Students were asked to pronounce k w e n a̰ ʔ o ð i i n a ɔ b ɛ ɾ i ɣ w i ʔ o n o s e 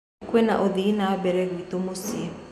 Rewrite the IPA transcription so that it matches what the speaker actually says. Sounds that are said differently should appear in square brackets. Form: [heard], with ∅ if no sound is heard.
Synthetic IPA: k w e n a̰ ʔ o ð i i n a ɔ b ɛ ɾ [ɛ] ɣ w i [t] o [m] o s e